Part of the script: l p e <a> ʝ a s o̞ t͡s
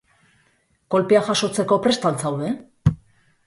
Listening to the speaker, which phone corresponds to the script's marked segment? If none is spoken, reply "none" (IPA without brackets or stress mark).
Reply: a